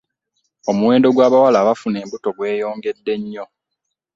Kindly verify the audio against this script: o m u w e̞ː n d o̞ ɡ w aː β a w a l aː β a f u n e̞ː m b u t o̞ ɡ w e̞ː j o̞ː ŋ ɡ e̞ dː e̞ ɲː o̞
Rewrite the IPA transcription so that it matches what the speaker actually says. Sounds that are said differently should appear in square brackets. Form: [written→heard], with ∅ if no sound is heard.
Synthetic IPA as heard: o m u w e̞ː n d o̞ ɡ w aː β a w a l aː β a f u n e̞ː m b u t o̞ ɡ w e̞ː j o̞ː ŋ ɡ e̞ dː e̞ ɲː o̞